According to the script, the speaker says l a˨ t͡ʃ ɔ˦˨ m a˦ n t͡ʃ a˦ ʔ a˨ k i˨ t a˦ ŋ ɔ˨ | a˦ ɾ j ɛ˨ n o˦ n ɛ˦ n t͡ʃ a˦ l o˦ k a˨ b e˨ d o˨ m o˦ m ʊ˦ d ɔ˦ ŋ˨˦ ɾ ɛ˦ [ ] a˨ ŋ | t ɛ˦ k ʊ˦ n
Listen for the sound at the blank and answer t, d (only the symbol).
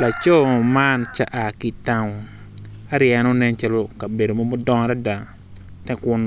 d